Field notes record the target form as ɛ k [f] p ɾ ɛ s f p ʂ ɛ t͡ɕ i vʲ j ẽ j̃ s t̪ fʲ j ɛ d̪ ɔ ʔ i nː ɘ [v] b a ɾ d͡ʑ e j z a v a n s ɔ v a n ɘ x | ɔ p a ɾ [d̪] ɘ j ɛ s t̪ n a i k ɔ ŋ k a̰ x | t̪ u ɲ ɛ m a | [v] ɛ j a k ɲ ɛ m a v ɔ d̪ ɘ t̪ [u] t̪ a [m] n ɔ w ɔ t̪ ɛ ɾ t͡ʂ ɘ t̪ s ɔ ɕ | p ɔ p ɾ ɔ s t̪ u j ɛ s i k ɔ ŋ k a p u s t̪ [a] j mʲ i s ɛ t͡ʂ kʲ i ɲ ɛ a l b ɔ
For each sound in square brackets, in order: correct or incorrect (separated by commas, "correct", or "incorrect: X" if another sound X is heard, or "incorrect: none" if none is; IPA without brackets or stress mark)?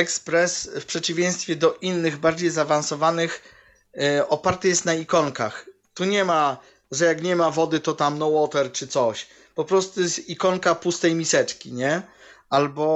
incorrect: s, incorrect: ɣ, incorrect: t̪, incorrect: ʐ, incorrect: ɔ, correct, incorrect: ɛ